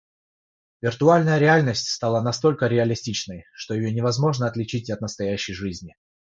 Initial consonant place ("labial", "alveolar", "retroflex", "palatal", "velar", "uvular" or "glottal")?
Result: labial